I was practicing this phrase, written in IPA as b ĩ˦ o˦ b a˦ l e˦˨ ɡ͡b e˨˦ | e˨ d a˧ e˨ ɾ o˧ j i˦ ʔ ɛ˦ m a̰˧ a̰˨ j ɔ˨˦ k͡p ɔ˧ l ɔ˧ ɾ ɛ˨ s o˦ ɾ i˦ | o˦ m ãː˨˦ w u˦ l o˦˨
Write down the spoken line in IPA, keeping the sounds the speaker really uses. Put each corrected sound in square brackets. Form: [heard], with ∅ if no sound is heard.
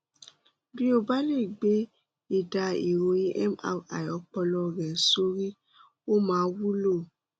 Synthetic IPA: b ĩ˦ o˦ b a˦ l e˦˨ ɡ͡b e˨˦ | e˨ d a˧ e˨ ɾ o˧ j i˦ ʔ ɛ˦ m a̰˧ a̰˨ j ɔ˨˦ k͡p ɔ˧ l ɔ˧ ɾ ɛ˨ s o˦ ɾ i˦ | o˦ m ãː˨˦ w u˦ l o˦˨